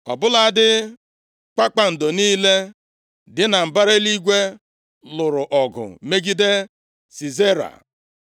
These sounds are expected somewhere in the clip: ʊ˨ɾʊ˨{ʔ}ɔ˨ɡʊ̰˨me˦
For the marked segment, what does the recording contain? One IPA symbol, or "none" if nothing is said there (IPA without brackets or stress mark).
ʔ